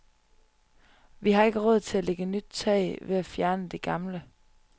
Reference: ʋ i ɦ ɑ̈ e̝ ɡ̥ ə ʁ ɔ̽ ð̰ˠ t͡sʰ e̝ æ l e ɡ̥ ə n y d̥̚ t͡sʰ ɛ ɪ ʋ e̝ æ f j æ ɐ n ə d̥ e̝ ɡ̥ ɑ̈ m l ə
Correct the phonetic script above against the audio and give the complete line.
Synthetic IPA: ʋ i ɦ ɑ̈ e̝ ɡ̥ ə ʁ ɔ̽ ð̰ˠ t͡sʰ e̝ æ l e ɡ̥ ə n y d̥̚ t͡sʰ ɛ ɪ ʋ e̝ æ f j æ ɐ n ə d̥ e̝ ɡ̥ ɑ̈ m l ə